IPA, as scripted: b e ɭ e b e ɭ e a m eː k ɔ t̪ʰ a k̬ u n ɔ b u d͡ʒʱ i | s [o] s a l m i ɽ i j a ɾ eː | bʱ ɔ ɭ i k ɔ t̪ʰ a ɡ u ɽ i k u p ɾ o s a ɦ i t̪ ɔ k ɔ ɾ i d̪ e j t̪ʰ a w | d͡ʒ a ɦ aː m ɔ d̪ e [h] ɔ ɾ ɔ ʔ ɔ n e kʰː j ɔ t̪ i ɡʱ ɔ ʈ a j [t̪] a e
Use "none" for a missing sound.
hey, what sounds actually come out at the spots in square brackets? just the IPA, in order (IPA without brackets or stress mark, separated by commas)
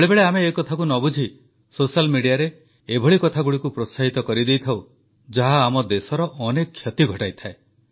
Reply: o, s, t̪ʰ